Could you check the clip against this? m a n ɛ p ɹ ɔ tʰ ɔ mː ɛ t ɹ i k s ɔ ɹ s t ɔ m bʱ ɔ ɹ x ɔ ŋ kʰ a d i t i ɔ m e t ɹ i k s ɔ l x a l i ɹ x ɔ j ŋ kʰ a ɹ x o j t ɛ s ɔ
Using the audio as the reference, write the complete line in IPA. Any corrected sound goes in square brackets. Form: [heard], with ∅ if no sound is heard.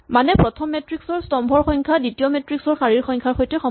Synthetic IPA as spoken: m a n ɛ p ɹ ɔ tʰ ɔ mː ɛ t ɹ i k s ɔ ɹ s t ɔ m bʱ ɔ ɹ x ɔ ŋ kʰ a d i t i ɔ m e t ɹ i k s ɔ [ɹ] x a [ɹ] i ɹ x ɔ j ŋ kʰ a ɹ x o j t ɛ [x] ɔ